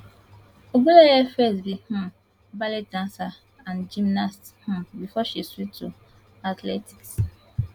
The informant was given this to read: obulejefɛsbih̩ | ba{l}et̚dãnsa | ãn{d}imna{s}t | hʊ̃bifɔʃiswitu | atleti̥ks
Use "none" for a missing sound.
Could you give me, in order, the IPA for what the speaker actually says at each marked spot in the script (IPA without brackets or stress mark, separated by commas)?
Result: l, d͡ʒ, s